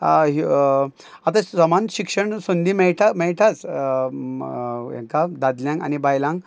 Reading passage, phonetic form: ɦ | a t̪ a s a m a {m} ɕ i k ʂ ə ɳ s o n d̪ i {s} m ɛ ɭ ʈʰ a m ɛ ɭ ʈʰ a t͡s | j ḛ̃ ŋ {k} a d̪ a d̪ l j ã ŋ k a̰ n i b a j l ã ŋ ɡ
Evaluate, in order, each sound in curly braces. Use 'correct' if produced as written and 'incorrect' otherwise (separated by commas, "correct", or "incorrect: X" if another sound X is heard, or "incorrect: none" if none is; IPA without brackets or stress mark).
incorrect: n, incorrect: none, correct